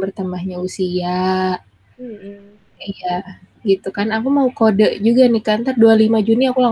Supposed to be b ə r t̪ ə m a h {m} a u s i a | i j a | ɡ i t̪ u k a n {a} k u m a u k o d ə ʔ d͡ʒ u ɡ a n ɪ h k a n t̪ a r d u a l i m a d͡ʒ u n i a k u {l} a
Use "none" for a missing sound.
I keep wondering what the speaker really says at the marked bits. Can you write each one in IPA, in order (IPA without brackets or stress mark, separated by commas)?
ɲ, a, l